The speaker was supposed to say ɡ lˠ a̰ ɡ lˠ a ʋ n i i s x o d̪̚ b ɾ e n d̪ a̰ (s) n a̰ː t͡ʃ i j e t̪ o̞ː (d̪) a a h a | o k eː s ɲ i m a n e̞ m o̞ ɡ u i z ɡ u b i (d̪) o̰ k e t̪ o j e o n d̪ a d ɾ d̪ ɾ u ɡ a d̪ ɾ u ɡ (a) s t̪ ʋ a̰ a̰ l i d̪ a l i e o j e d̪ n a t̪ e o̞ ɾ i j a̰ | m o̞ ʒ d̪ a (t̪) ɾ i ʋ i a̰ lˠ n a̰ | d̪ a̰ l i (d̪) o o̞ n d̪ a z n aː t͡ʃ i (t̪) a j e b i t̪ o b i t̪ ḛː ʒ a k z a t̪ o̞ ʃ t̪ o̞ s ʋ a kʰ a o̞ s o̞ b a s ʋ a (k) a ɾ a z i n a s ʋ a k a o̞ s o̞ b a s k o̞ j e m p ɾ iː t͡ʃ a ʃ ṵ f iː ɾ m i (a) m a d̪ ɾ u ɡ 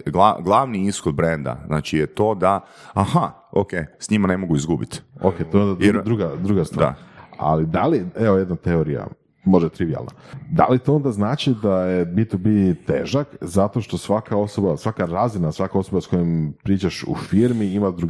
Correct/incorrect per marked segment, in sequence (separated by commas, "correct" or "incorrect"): incorrect, correct, incorrect, correct, correct, incorrect, incorrect, correct, incorrect